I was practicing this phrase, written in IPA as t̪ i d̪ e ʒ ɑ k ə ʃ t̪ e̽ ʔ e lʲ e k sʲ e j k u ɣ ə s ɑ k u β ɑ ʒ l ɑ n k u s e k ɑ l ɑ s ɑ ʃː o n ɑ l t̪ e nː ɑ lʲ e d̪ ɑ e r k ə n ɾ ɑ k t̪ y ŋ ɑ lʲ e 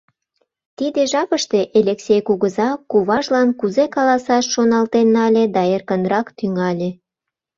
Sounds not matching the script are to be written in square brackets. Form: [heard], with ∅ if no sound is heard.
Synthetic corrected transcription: t̪ i d̪ e ʒ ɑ [p] ə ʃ t̪ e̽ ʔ e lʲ e k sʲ e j k u ɣ ə [z] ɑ k u β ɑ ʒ l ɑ n k u [z] e k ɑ l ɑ s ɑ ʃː o n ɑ l t̪ e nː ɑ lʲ e d̪ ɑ e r k ə n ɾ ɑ k t̪ y ŋ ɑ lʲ e